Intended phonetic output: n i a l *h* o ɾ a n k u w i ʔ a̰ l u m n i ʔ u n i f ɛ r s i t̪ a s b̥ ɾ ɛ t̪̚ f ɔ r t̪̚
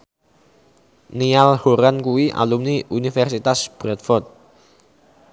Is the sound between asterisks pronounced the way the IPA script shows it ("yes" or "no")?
yes